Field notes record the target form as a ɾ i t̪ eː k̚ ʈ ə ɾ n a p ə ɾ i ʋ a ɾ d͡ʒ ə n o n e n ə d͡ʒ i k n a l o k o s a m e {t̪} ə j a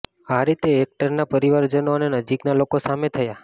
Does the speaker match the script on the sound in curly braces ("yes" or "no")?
no